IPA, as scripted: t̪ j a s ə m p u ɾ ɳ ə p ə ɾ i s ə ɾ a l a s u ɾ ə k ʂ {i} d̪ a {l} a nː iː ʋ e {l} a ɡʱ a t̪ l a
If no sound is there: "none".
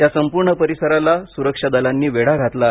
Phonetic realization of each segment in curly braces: a, l, ɽ

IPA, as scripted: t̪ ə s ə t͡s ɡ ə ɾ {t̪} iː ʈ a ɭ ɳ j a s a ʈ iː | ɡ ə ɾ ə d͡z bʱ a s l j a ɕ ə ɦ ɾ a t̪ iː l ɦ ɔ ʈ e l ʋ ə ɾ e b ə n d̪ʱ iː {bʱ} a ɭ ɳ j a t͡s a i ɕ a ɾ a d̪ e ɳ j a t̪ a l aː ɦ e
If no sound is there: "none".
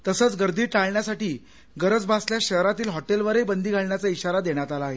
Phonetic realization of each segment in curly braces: d̪, ɡʱ

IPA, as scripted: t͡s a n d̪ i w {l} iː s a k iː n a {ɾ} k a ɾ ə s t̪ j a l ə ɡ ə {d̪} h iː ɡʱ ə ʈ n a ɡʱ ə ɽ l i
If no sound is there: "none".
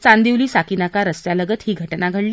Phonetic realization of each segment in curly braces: l, none, t̪

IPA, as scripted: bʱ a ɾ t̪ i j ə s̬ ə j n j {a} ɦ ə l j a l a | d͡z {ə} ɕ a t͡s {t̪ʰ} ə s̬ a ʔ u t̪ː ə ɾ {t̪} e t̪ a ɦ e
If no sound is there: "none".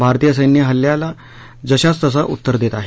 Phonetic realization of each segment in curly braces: ə, ə, t̪, d̪

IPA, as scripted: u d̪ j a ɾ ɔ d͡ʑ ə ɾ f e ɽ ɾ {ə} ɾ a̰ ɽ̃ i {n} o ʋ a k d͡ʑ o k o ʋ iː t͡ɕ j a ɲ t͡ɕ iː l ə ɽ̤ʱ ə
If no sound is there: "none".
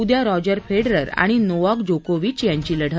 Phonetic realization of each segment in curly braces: ə, n

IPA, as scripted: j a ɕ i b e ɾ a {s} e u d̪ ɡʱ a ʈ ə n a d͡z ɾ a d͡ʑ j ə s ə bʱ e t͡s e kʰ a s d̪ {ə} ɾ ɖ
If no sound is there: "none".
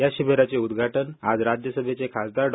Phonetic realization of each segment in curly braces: t͡s, a

